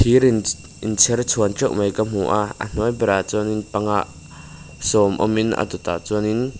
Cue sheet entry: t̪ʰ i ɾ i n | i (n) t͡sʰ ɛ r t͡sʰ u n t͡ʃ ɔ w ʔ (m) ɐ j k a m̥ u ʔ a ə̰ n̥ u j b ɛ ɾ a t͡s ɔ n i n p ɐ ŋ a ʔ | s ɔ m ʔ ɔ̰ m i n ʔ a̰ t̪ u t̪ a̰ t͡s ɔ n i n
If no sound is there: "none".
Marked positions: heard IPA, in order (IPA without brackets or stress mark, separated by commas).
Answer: n, m